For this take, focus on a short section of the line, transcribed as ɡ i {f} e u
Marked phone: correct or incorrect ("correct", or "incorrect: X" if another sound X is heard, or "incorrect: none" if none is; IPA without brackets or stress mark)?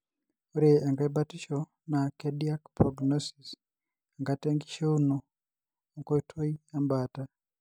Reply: incorrect: ʃ